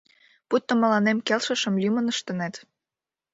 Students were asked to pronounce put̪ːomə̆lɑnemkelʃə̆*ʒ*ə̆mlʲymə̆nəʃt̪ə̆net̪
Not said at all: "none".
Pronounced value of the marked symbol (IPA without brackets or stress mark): ʃ